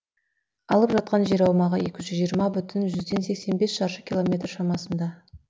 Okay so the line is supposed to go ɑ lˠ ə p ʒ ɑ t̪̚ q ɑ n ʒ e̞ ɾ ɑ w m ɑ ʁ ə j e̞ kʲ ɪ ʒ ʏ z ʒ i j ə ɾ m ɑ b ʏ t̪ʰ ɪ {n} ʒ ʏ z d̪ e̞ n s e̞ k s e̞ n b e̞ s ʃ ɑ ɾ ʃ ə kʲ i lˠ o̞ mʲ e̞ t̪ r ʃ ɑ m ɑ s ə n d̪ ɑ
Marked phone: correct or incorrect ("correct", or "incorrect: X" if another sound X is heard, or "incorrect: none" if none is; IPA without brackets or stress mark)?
correct